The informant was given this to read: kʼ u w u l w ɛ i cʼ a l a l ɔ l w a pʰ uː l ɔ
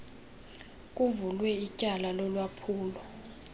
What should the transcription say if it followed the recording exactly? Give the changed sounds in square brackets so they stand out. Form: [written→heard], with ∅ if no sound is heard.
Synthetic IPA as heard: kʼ u [w→v] u l w ɛ i cʼ a l a l ɔ l w a pʰ uː l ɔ